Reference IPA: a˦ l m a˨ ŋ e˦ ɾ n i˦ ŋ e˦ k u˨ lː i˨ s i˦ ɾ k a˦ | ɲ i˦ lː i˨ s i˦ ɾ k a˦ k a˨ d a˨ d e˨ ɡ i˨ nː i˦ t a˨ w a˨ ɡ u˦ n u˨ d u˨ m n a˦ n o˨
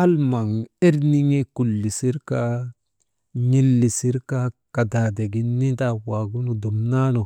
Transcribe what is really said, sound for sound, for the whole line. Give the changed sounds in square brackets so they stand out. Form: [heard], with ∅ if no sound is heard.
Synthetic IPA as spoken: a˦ l m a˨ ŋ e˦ ɾ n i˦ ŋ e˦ k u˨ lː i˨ s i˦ ɾ k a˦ | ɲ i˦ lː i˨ s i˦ ɾ k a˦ k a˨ d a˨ d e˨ ɡ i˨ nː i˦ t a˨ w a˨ ɡ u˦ n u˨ d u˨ m n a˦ n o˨

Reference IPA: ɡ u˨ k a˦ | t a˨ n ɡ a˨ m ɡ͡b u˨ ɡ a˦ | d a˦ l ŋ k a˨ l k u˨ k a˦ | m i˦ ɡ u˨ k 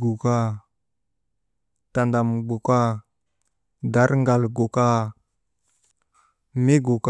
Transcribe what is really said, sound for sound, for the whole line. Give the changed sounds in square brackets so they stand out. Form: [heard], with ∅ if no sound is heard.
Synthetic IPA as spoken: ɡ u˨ k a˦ | t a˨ n [d] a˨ m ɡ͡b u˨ [k] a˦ | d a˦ [ɾ] ŋ [ɡ] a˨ l [ɡ] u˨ k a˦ | m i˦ ɡ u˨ k

